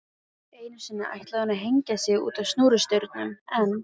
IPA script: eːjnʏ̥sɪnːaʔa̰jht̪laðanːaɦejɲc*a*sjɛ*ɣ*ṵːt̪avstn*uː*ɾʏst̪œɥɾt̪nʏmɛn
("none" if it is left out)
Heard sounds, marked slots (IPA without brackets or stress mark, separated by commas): a, ɣ, uː